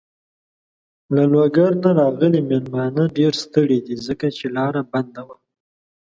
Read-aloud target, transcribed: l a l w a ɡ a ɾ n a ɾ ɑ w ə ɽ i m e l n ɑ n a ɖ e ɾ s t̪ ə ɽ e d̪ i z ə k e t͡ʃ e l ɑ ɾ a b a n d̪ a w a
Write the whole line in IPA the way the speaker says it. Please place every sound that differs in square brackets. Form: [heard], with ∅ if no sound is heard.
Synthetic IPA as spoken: l a l w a ɡ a ɾ n a ɾ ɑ [ɣ] ə [l] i m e l [m] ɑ n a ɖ e ɾ s t̪ ə ɽ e d̪ i z ə k [a] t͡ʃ e l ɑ ɾ a b a n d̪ a w a